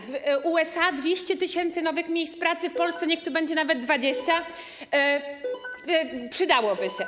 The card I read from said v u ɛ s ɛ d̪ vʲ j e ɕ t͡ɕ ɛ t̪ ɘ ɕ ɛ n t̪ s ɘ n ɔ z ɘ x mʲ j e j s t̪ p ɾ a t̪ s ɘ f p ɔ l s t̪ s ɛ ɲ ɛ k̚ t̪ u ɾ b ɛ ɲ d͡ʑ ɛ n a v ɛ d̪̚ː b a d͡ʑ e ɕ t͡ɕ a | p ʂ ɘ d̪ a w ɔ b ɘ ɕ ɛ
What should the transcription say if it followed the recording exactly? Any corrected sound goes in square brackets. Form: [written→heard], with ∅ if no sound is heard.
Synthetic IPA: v u ɛ s [ɛ→a] d̪ vʲ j e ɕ t͡ɕ ɛ t̪ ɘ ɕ ɛ n t̪ s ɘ n ɔ [z→v] ɘ x mʲ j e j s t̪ p ɾ a t̪ s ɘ f p ɔ l s t̪ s ɛ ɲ ɛ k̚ t̪ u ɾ b ɛ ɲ d͡ʑ ɛ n a v ɛ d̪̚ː [b→v] a d͡ʑ e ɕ t͡ɕ a | p ʂ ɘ d̪ a w ɔ b ɘ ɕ ɛ